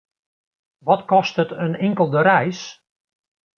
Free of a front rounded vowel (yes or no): yes